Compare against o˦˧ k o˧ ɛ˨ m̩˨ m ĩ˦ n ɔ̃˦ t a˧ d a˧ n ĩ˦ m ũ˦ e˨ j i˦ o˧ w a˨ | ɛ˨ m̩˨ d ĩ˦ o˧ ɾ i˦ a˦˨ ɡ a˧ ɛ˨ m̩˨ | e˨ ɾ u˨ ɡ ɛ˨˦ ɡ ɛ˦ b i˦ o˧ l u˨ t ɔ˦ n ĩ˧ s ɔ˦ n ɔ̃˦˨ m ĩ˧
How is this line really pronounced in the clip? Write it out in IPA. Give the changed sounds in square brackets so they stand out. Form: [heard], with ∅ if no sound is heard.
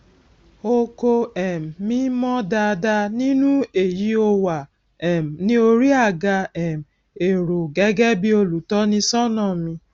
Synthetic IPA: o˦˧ k o˧ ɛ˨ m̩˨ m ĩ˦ [m] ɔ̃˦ [d] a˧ d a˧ n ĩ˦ [n] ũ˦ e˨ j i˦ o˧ w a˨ | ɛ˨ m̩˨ [n] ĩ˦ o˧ ɾ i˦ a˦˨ ɡ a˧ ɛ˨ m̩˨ | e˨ ɾ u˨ ɡ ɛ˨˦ ɡ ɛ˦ b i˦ o˧ l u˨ t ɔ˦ n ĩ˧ s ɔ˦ n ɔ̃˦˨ m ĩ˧